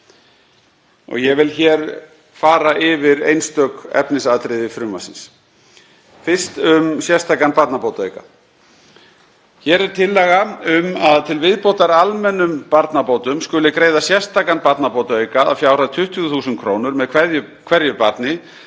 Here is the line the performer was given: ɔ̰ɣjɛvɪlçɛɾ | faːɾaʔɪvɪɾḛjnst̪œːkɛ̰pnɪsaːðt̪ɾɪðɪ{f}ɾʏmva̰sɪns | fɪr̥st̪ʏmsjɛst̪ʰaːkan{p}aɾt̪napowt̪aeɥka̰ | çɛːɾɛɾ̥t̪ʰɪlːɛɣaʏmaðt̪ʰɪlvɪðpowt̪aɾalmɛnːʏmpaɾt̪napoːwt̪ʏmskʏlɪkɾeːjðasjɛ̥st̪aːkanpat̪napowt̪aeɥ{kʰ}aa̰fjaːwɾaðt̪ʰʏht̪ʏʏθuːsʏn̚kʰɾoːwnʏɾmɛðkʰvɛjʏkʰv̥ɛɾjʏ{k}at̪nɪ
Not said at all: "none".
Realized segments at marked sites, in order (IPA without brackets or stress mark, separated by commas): f, p, k, p